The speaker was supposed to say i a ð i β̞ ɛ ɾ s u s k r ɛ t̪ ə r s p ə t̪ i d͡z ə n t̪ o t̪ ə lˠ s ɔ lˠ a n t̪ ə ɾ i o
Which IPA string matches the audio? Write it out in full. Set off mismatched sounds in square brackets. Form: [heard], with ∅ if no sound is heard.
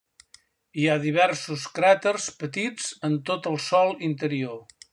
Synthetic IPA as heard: i a ð i β̞ ɛ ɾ s u s k [ɾ] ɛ t̪ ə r s p ə t̪ i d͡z ə n t̪ o t̪ ə lˠ s ɔ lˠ [i] n t̪ ə ɾ i o